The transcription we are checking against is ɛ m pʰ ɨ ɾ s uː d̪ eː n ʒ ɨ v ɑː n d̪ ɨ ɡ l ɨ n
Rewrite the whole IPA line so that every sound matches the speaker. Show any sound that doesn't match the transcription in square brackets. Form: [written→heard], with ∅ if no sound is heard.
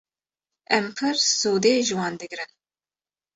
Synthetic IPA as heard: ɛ m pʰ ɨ ɾ s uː d̪ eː [n→∅] ʒ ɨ [v→w] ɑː n d̪ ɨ ɡ [l→ɾ] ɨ n

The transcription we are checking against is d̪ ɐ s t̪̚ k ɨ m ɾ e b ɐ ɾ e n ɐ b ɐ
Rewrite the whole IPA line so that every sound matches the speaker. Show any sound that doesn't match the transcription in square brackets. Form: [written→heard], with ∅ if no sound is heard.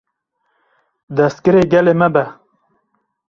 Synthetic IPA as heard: d̪ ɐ s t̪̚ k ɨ [m→∅] ɾ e [b→ɡ] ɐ [ɾ→l] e [n→m] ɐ b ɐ

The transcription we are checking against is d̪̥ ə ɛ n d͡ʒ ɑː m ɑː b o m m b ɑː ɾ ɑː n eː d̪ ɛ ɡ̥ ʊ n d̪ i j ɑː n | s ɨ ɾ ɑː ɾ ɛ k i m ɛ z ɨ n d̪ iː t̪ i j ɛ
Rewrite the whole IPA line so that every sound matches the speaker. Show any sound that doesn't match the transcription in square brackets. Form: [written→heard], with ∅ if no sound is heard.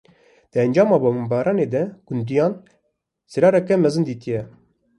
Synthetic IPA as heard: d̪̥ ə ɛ n d͡ʒ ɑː m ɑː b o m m b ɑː ɾ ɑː n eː d̪ ɛ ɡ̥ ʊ n d̪ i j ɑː n | s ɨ ɾ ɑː ɾ ɛ k [i→ɛ] m ɛ z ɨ n d̪ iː t̪ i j ɛ

